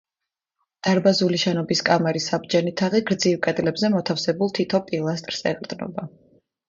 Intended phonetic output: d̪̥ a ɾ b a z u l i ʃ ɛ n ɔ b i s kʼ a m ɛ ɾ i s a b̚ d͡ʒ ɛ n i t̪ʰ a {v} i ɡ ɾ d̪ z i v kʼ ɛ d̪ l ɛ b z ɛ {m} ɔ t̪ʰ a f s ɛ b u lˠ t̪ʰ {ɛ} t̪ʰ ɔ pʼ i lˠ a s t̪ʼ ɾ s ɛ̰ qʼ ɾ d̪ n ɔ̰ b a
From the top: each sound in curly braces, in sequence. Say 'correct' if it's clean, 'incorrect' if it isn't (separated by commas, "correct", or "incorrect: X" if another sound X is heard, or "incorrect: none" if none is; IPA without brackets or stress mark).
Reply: incorrect: ʁ, correct, incorrect: i